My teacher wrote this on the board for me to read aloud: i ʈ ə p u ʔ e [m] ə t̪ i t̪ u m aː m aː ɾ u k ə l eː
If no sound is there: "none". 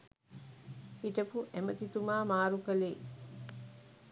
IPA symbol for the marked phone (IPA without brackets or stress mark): m